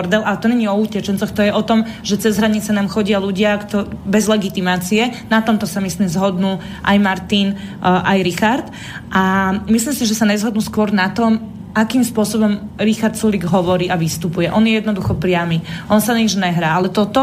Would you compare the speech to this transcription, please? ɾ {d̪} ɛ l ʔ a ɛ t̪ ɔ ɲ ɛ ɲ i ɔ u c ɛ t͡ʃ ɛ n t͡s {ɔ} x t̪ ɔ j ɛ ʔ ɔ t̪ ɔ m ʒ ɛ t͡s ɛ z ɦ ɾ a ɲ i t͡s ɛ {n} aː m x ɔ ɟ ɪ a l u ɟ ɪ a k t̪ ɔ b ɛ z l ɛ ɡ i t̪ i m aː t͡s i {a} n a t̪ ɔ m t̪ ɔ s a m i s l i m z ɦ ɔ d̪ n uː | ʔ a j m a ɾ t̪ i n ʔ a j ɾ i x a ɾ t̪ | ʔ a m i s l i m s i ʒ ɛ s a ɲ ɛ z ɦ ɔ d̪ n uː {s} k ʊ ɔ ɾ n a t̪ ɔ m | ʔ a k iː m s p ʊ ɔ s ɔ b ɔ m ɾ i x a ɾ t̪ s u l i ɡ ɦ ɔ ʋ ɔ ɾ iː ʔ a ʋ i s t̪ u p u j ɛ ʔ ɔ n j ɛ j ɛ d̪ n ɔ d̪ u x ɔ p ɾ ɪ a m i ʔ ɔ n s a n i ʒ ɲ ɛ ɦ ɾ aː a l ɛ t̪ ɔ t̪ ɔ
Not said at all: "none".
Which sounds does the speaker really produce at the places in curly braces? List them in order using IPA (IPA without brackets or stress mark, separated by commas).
d̪, ɔ, n, ɛ, s